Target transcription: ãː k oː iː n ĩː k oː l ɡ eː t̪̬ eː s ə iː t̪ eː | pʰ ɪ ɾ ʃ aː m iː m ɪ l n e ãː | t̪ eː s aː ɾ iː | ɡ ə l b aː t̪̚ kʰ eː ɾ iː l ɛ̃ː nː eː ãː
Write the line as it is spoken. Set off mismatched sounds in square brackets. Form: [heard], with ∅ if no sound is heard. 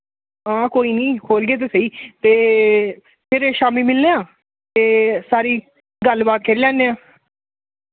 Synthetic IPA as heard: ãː k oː iː n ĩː [kʰ] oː l ɡ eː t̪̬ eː s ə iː t̪ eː | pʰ ɪ ɾ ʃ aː m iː m ɪ l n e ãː | t̪ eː s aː ɾ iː | ɡ ə l b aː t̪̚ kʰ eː ɾ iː l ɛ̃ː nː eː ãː